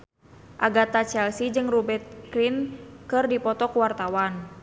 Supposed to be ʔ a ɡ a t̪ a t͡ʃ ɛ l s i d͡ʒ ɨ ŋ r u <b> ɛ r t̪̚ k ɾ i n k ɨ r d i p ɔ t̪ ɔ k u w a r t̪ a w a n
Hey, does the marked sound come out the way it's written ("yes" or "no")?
yes